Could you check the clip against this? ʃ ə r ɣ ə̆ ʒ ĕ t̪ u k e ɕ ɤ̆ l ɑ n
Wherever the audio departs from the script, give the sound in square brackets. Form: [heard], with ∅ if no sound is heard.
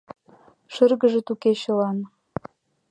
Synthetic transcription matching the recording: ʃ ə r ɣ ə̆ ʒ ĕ t̪ u k e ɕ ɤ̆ l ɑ n